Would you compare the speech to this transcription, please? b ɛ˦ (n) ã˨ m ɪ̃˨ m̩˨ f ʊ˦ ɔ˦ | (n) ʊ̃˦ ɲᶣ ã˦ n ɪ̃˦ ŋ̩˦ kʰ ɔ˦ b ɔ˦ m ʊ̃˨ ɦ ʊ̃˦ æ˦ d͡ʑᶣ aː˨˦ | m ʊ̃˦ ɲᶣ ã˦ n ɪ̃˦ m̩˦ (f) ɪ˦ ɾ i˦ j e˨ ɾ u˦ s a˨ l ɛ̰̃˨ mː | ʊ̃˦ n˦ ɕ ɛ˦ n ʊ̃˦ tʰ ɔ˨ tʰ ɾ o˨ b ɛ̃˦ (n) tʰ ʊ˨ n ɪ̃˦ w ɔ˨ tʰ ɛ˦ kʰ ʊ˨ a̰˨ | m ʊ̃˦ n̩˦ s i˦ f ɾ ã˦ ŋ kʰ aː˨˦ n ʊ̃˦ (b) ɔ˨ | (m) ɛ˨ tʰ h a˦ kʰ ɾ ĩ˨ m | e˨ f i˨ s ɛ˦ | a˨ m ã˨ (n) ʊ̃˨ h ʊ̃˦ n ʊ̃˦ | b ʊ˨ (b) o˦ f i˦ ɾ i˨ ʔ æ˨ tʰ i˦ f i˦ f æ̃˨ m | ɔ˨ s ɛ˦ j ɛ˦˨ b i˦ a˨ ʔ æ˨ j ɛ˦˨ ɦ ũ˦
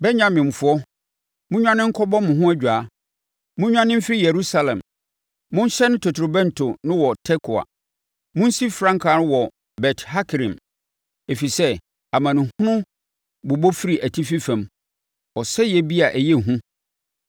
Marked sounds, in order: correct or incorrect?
incorrect, incorrect, correct, correct, incorrect, incorrect, correct, correct

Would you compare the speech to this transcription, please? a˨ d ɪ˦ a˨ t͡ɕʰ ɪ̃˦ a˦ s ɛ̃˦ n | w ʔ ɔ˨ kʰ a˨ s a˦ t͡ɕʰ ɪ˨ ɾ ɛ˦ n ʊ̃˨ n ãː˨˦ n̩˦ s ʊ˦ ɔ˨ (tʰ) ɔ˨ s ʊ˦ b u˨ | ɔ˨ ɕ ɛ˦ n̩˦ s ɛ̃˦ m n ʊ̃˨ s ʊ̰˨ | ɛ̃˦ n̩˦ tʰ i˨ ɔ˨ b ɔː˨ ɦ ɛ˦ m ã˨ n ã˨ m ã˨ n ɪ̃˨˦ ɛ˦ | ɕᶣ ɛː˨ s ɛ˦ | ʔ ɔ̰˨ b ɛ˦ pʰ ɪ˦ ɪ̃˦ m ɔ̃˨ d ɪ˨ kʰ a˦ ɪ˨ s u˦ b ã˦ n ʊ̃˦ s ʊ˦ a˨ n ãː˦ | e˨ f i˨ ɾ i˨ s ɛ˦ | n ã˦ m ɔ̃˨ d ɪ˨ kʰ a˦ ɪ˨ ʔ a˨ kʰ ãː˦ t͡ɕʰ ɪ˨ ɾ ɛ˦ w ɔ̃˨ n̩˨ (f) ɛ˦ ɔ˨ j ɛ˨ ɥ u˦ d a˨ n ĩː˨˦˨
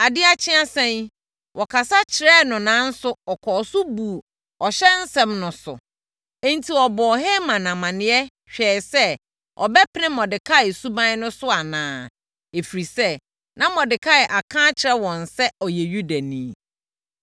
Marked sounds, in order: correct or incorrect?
incorrect, incorrect

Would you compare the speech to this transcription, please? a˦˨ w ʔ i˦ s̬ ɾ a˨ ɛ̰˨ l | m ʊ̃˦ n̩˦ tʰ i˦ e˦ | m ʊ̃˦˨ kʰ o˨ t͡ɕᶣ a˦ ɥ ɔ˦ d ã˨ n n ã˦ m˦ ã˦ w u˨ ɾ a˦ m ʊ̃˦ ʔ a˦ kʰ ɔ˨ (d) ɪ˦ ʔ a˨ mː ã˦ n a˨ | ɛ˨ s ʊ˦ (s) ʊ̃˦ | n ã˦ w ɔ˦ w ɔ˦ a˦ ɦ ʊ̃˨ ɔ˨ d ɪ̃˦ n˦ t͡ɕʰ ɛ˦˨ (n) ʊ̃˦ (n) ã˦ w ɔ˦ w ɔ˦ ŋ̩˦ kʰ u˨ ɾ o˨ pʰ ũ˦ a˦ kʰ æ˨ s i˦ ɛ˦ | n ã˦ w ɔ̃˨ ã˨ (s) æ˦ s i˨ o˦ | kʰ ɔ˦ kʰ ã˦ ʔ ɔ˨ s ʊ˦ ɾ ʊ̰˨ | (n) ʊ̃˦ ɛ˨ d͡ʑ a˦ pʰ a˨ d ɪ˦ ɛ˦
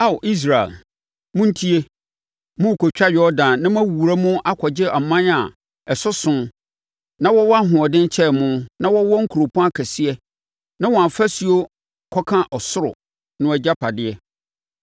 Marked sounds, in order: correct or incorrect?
incorrect, correct, incorrect, correct, incorrect, correct

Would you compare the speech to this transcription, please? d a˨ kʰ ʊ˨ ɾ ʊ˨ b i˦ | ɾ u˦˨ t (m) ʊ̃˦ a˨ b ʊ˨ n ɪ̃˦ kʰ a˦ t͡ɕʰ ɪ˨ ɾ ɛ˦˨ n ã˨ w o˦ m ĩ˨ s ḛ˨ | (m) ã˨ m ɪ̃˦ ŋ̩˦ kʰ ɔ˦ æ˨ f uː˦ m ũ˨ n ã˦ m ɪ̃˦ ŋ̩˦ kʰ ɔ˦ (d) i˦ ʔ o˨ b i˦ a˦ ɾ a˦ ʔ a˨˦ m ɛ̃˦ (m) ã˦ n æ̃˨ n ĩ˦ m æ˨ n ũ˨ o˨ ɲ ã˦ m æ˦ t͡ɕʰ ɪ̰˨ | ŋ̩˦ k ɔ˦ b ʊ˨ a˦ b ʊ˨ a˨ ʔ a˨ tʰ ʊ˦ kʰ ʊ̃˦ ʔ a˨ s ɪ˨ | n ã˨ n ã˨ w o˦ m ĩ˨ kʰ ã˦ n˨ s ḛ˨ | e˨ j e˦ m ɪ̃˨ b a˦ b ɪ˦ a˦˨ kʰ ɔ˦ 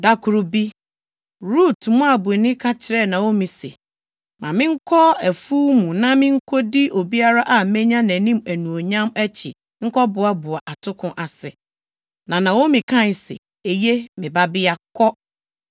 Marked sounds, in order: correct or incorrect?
correct, correct, correct, incorrect

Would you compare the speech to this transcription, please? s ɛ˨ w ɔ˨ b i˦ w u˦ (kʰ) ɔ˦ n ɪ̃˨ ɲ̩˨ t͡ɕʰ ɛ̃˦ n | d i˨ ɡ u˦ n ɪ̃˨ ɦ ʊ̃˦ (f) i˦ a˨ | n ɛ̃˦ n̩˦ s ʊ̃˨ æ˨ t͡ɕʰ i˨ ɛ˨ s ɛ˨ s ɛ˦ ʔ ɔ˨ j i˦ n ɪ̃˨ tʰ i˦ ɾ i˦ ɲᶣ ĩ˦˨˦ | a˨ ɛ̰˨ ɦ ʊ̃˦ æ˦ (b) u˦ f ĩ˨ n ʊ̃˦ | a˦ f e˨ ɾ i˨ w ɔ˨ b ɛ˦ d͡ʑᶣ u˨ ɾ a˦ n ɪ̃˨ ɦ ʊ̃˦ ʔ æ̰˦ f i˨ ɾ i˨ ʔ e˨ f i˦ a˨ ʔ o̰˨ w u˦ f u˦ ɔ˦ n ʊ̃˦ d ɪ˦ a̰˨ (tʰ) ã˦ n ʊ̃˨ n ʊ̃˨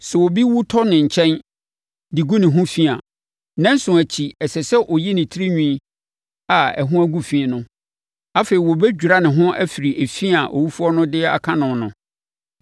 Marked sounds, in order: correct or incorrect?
incorrect, correct, incorrect, incorrect

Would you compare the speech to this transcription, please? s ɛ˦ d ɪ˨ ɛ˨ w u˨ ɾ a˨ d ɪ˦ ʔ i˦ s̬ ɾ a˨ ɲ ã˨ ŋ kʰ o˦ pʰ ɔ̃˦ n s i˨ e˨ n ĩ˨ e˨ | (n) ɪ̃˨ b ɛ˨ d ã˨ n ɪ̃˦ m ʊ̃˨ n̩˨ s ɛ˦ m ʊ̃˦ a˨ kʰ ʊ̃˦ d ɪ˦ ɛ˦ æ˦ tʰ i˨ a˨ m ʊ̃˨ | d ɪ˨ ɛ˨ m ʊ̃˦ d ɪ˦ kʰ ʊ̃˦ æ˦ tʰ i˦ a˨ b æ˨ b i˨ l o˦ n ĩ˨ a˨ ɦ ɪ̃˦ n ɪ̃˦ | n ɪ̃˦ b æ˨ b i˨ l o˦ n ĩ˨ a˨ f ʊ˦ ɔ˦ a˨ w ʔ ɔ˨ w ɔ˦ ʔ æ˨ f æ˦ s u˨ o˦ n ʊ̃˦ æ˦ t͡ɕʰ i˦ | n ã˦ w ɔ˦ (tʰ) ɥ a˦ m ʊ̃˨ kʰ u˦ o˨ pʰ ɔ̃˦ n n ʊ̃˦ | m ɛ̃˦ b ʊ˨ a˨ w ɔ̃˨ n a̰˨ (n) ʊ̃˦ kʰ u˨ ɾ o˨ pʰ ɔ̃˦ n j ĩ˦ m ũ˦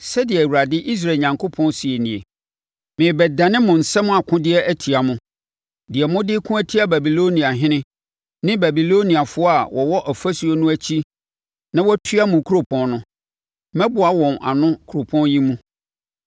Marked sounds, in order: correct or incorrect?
incorrect, correct, correct

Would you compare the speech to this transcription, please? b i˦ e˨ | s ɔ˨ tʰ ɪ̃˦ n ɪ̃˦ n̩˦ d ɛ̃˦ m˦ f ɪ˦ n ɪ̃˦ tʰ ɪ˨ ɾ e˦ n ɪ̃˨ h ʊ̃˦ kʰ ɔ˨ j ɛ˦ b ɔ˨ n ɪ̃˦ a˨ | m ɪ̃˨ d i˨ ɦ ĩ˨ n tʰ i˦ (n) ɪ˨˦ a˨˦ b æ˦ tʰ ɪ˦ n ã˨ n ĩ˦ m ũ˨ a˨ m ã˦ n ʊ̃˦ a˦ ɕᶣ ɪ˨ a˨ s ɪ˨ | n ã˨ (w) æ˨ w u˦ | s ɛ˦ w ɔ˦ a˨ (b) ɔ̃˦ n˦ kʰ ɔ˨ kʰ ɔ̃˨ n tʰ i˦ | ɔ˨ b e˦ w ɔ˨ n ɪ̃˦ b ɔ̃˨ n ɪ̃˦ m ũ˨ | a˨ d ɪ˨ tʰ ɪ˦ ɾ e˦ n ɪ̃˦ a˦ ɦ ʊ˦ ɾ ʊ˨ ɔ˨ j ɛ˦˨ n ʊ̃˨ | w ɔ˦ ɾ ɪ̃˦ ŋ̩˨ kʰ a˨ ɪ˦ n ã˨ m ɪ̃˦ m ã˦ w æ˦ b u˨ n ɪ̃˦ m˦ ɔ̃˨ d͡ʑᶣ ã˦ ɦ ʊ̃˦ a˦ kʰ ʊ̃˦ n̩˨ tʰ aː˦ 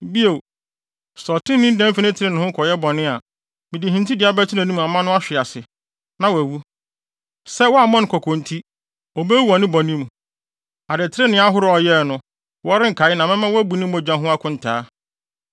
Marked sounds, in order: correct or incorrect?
incorrect, correct, incorrect

